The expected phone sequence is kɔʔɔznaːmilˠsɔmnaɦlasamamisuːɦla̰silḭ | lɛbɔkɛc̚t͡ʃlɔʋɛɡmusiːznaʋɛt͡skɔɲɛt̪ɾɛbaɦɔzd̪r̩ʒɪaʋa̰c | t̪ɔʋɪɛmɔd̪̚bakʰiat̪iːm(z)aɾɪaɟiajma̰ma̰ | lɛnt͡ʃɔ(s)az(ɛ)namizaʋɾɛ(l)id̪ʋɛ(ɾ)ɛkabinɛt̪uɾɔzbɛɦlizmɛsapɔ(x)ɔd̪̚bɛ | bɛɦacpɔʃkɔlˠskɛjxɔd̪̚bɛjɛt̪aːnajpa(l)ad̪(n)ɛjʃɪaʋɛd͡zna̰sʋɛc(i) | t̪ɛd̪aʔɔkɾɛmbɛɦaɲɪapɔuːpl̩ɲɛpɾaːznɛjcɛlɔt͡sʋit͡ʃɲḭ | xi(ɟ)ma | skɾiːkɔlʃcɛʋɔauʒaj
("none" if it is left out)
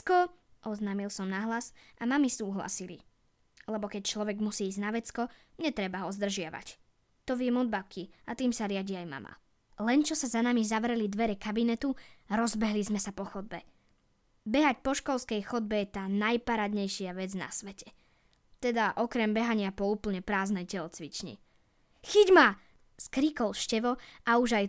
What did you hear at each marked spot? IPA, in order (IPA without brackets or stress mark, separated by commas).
s, s, a, l, ɾ, x, ɾ, ɲ, ɛ, ɟ